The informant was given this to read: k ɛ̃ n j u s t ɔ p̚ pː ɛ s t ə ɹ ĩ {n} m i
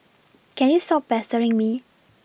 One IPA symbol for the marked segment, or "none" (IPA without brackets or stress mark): ŋ